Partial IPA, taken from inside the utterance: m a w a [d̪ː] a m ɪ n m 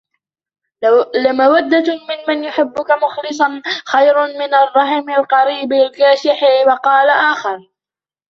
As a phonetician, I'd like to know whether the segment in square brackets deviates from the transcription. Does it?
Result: no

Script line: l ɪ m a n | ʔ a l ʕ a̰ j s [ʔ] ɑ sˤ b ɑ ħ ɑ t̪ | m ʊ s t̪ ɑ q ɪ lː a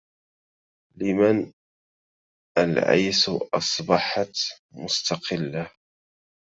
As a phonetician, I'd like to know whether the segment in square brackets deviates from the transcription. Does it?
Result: no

